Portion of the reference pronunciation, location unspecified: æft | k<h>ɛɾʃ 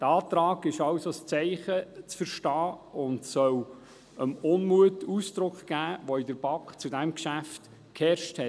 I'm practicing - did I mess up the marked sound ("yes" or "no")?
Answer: no